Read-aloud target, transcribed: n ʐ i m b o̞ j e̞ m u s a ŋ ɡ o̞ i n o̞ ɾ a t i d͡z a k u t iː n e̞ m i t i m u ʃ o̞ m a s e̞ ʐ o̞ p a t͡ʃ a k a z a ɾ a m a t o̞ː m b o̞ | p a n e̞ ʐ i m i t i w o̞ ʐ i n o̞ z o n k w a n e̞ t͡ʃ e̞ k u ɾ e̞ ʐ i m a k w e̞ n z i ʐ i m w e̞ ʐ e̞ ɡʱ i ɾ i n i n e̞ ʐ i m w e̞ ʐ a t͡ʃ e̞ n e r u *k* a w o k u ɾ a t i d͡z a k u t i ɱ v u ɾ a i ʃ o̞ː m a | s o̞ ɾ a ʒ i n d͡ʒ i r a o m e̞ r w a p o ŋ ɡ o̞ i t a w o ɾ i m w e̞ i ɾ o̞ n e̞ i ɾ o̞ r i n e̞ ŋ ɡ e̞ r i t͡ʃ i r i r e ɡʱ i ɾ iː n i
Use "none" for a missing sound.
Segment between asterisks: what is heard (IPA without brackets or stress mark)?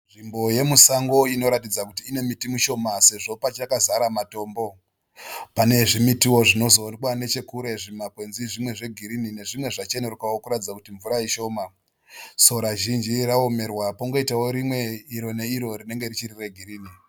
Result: k